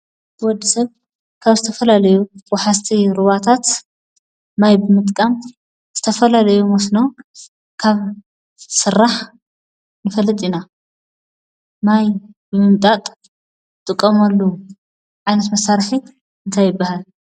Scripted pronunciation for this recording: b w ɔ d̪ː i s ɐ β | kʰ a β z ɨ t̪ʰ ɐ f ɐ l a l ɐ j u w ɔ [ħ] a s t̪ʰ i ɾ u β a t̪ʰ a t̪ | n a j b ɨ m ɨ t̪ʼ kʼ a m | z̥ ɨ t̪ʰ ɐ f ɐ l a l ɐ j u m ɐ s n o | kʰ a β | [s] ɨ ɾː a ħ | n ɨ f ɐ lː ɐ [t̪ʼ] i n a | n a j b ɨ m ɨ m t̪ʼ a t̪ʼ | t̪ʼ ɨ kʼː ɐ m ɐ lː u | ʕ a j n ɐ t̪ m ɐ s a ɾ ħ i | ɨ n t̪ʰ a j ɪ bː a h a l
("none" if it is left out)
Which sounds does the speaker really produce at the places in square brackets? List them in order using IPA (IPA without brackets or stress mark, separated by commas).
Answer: ħ, s, t̪ʼ